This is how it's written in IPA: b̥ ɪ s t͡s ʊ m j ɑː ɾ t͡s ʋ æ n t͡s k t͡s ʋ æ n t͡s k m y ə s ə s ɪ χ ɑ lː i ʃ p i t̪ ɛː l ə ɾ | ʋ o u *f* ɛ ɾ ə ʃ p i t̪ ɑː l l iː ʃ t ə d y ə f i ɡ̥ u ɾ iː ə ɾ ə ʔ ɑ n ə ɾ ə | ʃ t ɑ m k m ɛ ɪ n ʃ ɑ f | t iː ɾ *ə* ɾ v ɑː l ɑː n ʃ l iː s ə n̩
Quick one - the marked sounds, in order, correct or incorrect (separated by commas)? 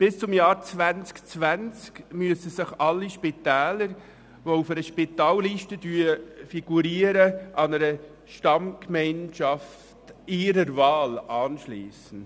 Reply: correct, correct